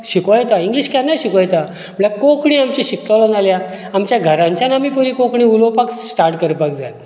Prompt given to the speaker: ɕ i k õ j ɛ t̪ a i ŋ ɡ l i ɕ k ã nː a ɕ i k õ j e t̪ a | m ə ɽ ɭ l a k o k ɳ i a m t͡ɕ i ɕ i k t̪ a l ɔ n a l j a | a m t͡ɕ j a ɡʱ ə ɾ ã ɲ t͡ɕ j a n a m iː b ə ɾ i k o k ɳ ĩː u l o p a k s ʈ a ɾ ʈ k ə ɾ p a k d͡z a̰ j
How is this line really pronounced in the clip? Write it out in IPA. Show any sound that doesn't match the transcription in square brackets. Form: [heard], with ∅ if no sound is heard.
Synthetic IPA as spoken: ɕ i k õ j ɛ t̪ a i ŋ ɡ l i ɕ k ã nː a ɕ i k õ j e t̪ a | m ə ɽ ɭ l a k o k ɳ i a m t͡ɕ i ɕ i k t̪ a l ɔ n a l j a | a m t͡ɕ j a ɡʱ ə ɾ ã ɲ t͡ɕ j a n a m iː [p] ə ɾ i k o k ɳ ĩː u l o p a k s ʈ a ɾ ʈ k ə ɾ p a k d͡z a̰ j

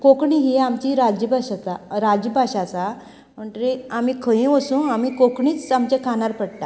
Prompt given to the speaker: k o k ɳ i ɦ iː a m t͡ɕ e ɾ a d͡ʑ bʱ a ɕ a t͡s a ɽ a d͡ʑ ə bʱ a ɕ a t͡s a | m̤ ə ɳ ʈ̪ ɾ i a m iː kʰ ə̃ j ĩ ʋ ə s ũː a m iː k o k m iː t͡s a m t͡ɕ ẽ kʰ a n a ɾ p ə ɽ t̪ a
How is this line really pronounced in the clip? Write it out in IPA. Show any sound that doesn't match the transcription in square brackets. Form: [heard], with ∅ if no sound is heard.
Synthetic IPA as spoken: k o k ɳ i ɦ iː a m t͡ɕ [i] ɾ a d͡ʑ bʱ a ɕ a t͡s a [ɾ] a d͡ʑ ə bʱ a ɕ a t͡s a | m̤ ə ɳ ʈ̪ ɾ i a m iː kʰ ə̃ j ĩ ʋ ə s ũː a m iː k o k [ɳ] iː t͡s a m t͡ɕ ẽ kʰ a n a ɾ p ə ɽ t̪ a

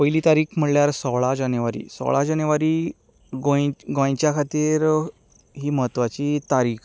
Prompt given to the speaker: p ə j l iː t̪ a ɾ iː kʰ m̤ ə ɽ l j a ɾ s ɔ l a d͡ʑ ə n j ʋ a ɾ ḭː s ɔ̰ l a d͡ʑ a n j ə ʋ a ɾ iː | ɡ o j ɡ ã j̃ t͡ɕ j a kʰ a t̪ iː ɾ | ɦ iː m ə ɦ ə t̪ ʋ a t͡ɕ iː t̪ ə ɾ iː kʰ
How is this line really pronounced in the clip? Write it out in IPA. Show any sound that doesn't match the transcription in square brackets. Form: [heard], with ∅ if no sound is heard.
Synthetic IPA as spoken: p ə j l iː t̪ a ɾ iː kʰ m̤ ə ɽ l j a ɾ s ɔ [ɭ] a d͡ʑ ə n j ʋ a ɾ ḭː s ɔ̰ [ɭ] a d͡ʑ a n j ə ʋ a ɾ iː | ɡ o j ɡ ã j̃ t͡ɕ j a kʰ a t̪ iː ɾ | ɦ iː m ə ɦ ə t̪ ʋ a t͡ɕ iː t̪ [a] ɾ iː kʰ

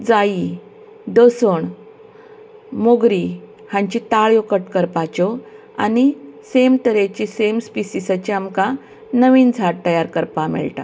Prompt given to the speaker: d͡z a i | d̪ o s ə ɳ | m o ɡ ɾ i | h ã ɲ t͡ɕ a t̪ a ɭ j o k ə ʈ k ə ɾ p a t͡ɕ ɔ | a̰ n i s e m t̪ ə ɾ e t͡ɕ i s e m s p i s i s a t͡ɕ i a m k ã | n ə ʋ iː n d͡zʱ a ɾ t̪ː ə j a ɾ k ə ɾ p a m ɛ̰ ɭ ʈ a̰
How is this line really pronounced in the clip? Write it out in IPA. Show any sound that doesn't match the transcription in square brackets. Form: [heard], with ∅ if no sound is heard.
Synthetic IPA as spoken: d͡z a i | d̪ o s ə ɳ | m o ɡ ɾ i | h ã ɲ t͡ɕ [i] t̪ a ɭ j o k ə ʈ k ə ɾ p a t͡ɕ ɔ | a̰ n i s e m t̪ ə ɾ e t͡ɕ i s e m s p i s i s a t͡ɕ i a m k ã | n ə ʋ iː n d͡zʱ a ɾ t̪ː ə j a ɾ k ə ɾ p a m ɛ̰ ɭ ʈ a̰

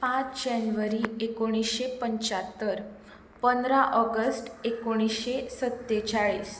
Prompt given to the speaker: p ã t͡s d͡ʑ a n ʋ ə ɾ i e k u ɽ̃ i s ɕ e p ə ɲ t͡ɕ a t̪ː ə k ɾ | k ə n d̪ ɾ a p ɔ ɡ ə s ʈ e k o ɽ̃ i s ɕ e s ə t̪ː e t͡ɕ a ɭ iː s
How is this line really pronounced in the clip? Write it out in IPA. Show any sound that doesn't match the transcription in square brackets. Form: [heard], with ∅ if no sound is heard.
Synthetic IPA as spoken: p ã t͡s d͡ʑ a n ʋ ə ɾ i e k [o] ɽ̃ i s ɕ e p ə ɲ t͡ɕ a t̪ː ə [∅] ɾ | [p] ə n d̪ ɾ a [ʔ] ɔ ɡ ə s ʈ e k o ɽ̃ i s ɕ e s ə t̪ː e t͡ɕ a ɭ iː s

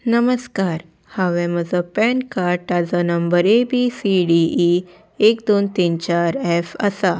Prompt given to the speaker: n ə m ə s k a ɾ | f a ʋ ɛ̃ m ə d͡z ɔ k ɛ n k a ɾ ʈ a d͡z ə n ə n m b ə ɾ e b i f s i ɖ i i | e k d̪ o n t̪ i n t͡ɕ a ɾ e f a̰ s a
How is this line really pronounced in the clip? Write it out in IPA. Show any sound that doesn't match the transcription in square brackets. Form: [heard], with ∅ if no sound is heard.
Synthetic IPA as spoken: n ə m ə s k a ɾ | [h] a ʋ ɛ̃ m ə d͡z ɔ [p] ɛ n k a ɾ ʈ a d͡z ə n ə [∅] m b ə ɾ e b i [∅] s i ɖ i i | e k d̪ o n t̪ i n t͡ɕ a ɾ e f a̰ s a

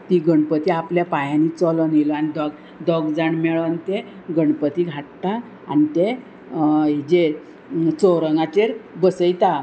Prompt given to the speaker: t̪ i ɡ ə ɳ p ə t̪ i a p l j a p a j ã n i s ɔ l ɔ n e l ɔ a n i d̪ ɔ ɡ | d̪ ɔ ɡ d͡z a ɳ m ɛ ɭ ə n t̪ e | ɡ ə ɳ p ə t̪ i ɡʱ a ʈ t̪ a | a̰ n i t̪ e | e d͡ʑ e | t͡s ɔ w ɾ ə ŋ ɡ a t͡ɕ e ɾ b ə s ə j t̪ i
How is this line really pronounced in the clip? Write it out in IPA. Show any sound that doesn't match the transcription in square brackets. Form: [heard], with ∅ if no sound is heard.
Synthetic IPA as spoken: t̪ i ɡ ə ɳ p ə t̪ i a p l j a p a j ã n i [t͡s] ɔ l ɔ n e l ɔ a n i d̪ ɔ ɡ | d̪ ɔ ɡ d͡z a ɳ m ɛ ɭ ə n t̪ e | ɡ ə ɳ p ə t̪ i ɡʱ a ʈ t̪ a | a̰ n i t̪ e | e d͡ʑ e | t͡s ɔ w ɾ ə ŋ ɡ a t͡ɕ e ɾ b ə s ə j t̪ [a]

